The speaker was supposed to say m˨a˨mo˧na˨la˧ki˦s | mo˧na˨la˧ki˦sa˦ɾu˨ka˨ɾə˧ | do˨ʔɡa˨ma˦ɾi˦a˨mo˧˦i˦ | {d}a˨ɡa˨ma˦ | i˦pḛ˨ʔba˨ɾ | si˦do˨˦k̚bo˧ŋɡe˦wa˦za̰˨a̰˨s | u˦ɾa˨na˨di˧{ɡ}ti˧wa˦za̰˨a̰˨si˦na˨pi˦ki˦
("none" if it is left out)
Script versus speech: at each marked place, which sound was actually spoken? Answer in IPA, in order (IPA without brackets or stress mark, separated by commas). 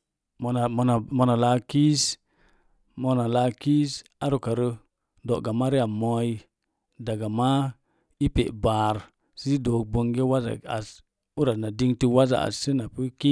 d, ŋ